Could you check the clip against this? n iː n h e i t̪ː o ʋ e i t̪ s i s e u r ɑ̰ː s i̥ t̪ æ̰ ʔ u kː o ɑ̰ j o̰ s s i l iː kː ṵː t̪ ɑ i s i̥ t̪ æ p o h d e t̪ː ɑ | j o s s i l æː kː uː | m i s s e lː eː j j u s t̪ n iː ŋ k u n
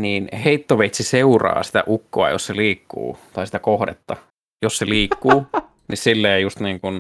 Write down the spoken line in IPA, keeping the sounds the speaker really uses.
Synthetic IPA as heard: n iː n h e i t̪ː o ʋ e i t̪ s i s e u r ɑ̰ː s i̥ t̪ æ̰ ʔ u kː o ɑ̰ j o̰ s s e l iː kː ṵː t̪ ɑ i s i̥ t̪ æ k o h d e t̪ː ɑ | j o s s e l iː kː uː | n i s s i lː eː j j u s t̪ n iː ŋ k u n